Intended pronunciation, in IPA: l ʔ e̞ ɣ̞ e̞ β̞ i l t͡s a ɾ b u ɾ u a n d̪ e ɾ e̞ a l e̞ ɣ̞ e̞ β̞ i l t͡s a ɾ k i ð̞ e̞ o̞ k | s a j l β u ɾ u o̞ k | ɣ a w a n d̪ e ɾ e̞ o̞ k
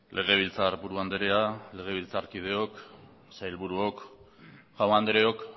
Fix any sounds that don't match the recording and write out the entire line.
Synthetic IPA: l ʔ e̞ ɣ̞ e̞ β̞ i l t͡s a ɾ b u ɾ u a n d̪ e ɾ e̞ a l e̞ ɣ̞ e̞ β̞ i l t͡s a ɾ k i ð̞ e̞ o̞ k | s a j l β u ɾ u o̞ k | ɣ a w a n d̪ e ɾ e̞ o̞ k